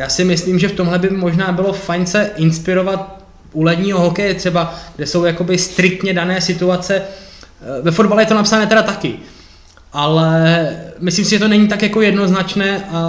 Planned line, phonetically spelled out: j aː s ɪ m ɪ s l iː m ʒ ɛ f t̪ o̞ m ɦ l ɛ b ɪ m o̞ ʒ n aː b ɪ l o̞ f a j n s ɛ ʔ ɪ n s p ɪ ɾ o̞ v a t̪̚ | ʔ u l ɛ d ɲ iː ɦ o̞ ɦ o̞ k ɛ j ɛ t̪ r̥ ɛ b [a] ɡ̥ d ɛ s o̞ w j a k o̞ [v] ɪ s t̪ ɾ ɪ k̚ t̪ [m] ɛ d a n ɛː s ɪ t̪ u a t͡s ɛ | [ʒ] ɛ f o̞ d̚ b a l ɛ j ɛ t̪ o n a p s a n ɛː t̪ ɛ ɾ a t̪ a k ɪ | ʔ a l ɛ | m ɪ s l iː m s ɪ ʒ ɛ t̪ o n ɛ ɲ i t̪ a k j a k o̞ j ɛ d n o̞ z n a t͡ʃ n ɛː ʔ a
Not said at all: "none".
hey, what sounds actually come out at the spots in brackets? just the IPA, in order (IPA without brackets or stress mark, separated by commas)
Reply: a, b, ɲ, v